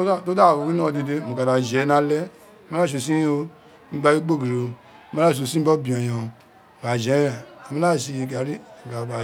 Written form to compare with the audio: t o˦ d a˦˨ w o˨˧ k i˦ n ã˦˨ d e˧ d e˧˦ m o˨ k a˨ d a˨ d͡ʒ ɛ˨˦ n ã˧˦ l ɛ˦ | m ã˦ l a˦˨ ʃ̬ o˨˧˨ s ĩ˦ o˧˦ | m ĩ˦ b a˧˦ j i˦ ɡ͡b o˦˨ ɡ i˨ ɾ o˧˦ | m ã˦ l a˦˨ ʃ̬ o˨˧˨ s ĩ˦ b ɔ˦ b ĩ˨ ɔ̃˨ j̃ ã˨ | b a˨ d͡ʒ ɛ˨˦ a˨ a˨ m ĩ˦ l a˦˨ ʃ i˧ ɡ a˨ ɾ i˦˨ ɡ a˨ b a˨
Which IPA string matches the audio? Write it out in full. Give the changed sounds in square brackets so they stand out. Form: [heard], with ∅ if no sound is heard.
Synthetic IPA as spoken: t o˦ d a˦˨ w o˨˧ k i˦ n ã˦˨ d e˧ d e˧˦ m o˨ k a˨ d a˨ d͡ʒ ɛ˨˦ n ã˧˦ l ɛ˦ | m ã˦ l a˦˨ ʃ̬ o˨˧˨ s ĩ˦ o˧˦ | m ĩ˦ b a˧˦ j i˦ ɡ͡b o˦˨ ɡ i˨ ɾ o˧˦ | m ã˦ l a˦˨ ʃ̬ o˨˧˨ s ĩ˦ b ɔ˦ b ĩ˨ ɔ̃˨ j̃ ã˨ | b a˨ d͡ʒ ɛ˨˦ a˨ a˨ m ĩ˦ l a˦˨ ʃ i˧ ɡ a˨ ɾ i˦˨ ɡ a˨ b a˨